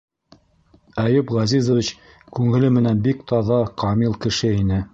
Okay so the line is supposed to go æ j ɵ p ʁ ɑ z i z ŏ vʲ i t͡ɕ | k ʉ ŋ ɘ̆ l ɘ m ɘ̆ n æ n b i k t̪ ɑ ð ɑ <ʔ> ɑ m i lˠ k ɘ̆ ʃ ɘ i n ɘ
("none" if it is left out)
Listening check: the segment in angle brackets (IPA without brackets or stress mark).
q